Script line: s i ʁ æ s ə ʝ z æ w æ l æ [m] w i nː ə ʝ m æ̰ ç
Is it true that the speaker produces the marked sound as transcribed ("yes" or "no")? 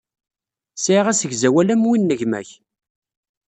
yes